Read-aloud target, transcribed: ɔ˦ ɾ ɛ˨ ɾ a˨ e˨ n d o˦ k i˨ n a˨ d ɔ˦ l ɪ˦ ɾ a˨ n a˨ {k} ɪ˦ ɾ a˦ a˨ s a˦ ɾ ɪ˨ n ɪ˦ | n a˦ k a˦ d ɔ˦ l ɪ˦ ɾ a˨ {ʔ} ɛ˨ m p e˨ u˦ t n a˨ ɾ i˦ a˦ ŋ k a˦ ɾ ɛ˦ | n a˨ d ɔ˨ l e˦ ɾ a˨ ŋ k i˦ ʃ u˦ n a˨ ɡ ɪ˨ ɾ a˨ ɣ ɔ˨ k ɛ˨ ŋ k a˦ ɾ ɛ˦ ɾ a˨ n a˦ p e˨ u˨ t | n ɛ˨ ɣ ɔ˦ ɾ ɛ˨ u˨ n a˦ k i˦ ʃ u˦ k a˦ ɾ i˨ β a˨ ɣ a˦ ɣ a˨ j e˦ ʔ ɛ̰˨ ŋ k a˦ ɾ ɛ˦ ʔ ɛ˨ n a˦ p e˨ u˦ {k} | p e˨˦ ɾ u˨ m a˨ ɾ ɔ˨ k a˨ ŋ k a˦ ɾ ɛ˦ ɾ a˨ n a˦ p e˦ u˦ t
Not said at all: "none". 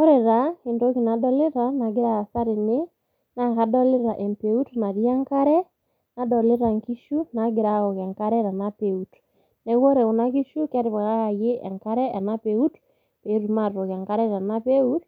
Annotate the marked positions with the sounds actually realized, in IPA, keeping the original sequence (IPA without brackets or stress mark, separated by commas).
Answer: ɡ, ʔ, t